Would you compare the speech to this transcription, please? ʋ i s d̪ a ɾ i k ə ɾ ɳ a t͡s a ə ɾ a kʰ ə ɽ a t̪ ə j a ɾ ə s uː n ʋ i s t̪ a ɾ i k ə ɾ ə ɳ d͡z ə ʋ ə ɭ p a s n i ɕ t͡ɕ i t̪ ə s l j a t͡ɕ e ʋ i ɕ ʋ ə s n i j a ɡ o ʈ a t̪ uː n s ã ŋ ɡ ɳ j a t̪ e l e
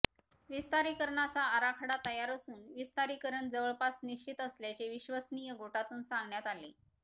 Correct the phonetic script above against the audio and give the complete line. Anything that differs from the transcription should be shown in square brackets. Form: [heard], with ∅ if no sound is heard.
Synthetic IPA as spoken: ʋ i s [t̪] a ɾ i k ə ɾ ɳ a t͡s a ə ɾ a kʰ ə ɽ a t̪ ə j a ɾ ə s uː n ʋ i s t̪ a ɾ i k ə ɾ ə ɳ d͡z ə ʋ ə ɭ p a s n i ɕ t͡ɕ i t̪ ə s l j a t͡ɕ e ʋ i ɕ ʋ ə s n i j [ə] ɡ o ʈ a t̪ uː n s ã ŋ ɡ ɳ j a t̪ [a] l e